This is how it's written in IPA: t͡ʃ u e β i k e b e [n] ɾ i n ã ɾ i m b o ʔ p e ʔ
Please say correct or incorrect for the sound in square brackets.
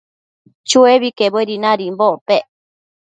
incorrect